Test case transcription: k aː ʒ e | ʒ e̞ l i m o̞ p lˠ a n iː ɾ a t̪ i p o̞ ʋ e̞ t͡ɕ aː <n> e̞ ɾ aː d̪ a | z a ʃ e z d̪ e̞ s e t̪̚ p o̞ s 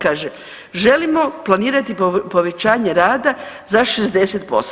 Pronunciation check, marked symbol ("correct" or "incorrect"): incorrect